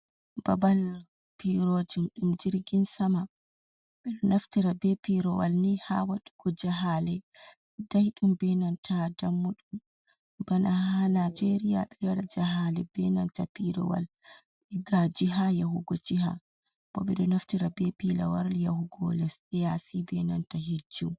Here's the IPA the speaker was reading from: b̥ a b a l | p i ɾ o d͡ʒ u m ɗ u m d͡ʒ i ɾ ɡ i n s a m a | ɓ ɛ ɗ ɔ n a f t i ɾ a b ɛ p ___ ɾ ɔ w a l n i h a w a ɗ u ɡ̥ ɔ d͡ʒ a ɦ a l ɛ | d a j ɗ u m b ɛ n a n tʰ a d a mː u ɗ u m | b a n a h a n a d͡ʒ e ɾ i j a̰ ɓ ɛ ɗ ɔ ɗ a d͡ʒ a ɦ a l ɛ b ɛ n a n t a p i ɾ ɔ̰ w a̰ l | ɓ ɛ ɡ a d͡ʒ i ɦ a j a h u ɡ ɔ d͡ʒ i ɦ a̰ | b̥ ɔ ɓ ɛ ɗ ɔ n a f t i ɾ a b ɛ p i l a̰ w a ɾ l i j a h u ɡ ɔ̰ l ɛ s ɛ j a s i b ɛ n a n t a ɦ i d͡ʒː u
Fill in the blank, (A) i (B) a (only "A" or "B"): A